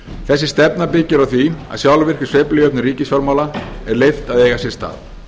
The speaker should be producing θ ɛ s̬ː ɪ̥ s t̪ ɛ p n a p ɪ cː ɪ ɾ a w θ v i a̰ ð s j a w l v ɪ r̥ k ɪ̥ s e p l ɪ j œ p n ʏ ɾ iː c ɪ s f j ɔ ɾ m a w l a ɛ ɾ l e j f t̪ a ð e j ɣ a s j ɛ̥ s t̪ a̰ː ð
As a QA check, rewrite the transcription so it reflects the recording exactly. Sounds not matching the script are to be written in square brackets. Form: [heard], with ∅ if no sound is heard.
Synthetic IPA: θ ɛ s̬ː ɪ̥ s t̪ ɛ p n a p ɪ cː ɪ ɾ a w θ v i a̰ ð s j a w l v ɪ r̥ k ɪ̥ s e p l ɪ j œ p n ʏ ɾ iː c ɪ s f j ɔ ɾ m a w l a ɛ ɾ l e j f t̪ a ð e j ɣ a s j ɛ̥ s t̪ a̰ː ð

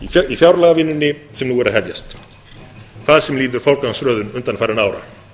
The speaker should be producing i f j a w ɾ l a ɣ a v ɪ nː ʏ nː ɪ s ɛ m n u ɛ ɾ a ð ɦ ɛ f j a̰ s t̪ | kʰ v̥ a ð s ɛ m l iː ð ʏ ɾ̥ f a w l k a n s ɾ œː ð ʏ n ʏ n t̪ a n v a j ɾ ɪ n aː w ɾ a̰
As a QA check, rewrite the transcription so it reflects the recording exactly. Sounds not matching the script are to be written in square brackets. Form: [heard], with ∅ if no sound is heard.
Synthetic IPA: i f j a w ɾ l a ɣ a v ɪ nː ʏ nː ɪ s ɛ m n u ɛ ɾ a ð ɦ ɛ [v] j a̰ s t̪ | kʰ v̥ a ð s ɛ m l iː ð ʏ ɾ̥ f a w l k a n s ɾ œː ð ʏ n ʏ n t̪ a n [f] a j ɾ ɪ n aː w ɾ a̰

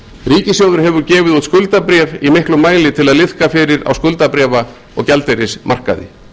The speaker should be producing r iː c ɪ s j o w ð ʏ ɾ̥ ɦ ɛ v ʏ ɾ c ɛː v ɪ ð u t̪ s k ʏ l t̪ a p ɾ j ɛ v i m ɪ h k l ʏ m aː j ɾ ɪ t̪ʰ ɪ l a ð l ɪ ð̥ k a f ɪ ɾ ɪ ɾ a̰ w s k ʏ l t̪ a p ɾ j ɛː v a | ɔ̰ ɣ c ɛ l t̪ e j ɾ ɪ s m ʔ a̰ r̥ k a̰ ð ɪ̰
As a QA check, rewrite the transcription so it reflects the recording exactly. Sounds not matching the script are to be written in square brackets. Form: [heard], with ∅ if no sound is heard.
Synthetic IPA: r iː c ɪ s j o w ð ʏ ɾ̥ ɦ ɛ v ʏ ɾ c ɛː v ɪ ð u t̪ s k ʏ l t̪ a p ɾ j ɛ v i m ɪ h k l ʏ m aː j [l] ɪ t̪ʰ ɪ l a ð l ɪ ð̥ k a f ɪ ɾ ɪ ɾ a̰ w s k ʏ l t̪ a p ɾ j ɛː v a | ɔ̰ ɣ c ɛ l t̪ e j ɾ ɪ s m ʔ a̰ r̥ k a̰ ð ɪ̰

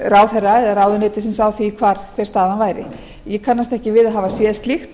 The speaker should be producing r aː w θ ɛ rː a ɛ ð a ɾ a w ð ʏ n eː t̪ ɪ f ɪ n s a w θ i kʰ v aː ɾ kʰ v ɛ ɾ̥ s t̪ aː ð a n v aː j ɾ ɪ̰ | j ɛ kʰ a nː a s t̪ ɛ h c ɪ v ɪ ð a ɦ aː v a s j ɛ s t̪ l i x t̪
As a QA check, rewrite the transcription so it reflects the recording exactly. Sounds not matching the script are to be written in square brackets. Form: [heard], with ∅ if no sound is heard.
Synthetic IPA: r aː w θ ɛ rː a ɛ ð a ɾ a w ð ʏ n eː t̪ ɪ [s] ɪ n s a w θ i kʰ v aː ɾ kʰ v ɛ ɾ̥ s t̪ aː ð a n v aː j ɾ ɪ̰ | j ɛ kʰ a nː a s t̪ ɛ h c ɪ v ɪ ð a ɦ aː v a s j ɛ s t̪ l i x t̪

